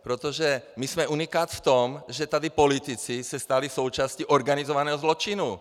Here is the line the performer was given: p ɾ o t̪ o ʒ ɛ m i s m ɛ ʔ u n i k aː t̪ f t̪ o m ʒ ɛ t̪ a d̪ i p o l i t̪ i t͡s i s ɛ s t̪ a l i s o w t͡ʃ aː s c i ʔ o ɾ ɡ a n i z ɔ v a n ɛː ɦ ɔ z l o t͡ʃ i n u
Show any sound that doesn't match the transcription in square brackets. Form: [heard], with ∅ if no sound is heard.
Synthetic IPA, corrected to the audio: p ɾ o t̪ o ʒ ɛ m i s m ɛ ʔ u n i k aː t̪ f t̪ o m ʒ ɛ t̪ a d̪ i p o l i t̪ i t͡s i s ɛ s t̪ a l i s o w t͡ʃ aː s c i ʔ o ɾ ɡ a n i z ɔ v a n ɛː ɦ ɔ z l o t͡ʃ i n u